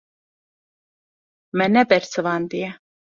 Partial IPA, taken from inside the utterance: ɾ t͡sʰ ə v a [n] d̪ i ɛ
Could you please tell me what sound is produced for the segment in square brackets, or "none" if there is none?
n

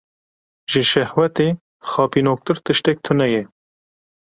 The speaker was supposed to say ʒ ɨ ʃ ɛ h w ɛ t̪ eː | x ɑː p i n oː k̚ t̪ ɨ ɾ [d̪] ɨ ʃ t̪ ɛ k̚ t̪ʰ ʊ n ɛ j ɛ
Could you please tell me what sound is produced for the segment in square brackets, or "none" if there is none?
t̪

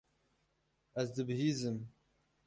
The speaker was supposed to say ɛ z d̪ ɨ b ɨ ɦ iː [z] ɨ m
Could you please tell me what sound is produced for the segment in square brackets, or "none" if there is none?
z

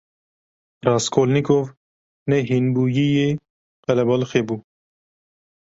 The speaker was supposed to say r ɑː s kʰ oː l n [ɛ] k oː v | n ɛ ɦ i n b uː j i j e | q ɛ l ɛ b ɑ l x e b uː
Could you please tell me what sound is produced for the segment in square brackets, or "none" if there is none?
i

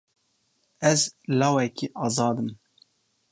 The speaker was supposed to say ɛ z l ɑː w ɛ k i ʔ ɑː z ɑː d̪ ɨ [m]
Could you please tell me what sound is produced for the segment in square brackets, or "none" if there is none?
m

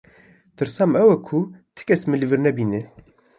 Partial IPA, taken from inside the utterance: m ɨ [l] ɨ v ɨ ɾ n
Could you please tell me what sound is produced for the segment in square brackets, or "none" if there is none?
l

